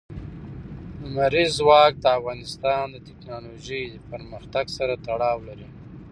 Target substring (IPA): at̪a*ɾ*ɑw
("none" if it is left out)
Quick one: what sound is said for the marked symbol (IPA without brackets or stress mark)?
ɽ